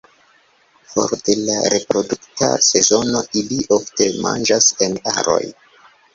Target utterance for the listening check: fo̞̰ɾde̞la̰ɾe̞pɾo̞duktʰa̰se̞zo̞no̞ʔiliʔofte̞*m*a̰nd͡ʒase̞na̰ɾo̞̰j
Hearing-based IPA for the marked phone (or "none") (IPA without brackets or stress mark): m